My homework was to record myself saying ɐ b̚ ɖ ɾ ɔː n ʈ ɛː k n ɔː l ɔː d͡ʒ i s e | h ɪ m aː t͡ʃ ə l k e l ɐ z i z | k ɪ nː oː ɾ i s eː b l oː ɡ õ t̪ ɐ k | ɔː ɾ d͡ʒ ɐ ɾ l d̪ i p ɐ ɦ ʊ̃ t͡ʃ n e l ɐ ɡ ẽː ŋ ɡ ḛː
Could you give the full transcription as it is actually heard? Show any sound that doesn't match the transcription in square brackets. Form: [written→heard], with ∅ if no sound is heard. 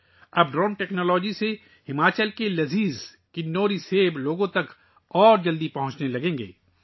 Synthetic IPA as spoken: ɐ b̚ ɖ ɾ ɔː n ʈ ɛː k n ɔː l ɔː d͡ʒ i s e | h ɪ m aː t͡ʃ ə l k e l ɐ z [i→iː] z | k ɪ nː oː ɾ i s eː b l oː ɡ õ t̪ ɐ k | ɔː ɾ d͡ʒ ɐ [ɾ→∅] l d̪ i p ɐ ɦ ʊ̃ t͡ʃ n e l ɐ ɡ ẽː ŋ ɡ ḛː